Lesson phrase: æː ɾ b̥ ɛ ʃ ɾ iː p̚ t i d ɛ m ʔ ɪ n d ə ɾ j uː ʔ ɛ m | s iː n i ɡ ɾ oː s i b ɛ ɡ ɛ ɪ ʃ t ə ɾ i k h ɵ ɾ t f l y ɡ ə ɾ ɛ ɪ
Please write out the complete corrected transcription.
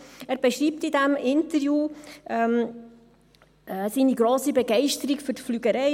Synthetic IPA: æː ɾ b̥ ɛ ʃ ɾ iː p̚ t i d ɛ m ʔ ɪ n t ə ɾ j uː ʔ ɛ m | s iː n i ɡ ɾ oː s i b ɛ ɡ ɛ ɪ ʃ t ə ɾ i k f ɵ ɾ t f l y ɡ ə ɾ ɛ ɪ